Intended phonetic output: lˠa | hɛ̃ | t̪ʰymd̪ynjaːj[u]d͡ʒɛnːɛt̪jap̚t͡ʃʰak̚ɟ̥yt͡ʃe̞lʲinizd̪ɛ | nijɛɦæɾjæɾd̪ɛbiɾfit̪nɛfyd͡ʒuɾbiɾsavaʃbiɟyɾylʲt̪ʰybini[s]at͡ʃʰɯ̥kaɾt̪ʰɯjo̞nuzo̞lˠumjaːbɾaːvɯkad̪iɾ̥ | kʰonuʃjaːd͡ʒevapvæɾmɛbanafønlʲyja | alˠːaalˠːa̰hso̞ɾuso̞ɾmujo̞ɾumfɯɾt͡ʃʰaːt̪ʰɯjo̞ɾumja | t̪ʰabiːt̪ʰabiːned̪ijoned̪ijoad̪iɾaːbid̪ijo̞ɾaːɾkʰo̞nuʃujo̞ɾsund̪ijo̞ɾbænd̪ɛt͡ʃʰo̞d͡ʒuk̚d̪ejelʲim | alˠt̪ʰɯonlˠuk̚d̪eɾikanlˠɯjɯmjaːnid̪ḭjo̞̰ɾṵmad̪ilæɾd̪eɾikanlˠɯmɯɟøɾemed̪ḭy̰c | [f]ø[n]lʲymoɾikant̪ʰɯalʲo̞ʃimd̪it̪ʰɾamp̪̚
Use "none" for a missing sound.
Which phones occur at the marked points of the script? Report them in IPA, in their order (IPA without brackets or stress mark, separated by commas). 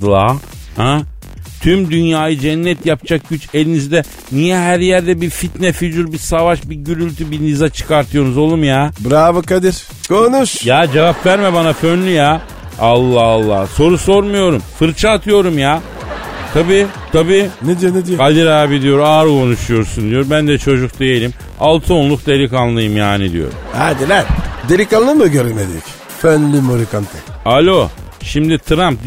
ɯ, z, f, n